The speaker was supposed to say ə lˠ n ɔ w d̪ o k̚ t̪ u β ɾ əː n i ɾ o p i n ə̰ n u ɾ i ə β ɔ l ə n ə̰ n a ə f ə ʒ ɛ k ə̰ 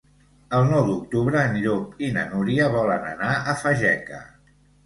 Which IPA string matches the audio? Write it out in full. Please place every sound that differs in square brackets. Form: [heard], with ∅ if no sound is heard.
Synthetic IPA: ə lˠ n ɔ w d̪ [u] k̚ t̪ u β ɾ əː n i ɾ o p i n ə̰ n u ɾ i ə β ɔ l ə n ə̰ n a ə f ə ʒ ɛ k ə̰